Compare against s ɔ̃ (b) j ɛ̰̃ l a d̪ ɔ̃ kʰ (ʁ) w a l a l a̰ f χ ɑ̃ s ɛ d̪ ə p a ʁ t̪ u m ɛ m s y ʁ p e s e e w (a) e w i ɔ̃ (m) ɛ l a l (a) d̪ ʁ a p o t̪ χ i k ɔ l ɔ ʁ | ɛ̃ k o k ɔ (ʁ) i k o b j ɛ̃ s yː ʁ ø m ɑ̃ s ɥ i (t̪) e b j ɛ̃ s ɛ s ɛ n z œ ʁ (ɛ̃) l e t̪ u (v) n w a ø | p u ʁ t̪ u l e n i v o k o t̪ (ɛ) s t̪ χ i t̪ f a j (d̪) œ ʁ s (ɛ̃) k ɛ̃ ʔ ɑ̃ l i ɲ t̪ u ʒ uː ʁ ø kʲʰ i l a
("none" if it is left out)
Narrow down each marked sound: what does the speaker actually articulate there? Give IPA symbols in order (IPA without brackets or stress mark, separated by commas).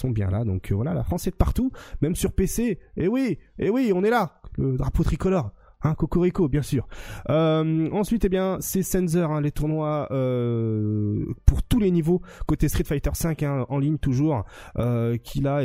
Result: b, v, i, n, ə, ʁ, t̪, ɛ̃, ʁ, e, t̪, ɛ̃